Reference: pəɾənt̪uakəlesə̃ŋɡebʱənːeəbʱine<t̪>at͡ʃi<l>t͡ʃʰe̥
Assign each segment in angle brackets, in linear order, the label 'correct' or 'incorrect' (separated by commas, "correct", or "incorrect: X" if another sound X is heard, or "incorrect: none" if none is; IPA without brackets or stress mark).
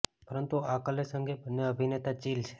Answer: correct, correct